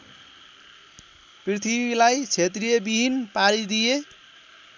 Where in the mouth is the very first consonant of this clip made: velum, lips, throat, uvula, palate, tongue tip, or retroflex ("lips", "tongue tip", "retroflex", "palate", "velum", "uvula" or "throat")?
lips